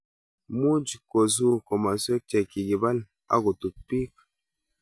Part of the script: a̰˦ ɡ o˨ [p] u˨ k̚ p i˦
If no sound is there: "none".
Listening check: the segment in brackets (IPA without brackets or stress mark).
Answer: t